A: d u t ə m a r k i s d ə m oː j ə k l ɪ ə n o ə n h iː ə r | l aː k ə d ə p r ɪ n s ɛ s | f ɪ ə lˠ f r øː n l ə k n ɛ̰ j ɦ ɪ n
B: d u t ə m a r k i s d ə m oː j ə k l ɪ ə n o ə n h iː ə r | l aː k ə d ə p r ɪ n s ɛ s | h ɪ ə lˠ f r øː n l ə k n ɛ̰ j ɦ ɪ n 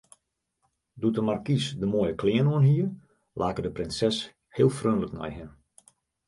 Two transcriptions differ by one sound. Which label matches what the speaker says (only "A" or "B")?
B